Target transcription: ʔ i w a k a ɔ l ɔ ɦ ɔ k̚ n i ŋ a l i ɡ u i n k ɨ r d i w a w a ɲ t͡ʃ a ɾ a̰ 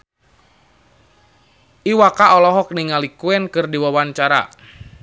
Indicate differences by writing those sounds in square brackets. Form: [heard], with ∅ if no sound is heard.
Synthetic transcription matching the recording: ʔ i w a k a ɔ l ɔ ɦ ɔ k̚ n i ŋ a l i [k] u [ɛ] n k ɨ r d i w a w a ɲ t͡ʃ a ɾ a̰